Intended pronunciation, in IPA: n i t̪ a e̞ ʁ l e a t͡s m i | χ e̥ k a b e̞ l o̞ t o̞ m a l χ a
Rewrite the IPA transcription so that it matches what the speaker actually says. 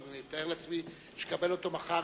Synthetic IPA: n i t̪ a e̞ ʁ l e a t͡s m i | ʃ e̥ k a b e̞ l o̞ t o̞ m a χ a